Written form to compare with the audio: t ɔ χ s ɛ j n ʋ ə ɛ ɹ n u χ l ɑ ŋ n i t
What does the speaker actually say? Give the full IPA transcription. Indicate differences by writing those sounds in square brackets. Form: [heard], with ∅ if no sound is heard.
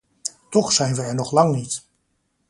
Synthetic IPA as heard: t ɔ χ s ɛ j n ʋ ə ɛ ɹ n [ɔ] χ l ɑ ŋ n i t